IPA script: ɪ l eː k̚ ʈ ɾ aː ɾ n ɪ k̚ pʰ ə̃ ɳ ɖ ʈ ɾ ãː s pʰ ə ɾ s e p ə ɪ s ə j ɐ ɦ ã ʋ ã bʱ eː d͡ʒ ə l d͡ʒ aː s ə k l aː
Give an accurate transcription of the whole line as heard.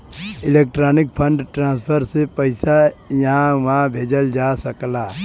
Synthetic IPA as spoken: ɪ l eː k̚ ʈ ɾ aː n ɪ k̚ pʰ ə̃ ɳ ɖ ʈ ɾ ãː s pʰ ə ɾ s e p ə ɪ s a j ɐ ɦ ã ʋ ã bʱ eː d͡ʒ ə l d͡ʒ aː s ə k l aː